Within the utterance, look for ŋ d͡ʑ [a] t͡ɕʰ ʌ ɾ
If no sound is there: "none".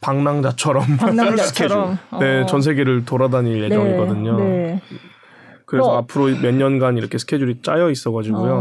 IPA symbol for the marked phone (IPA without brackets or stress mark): a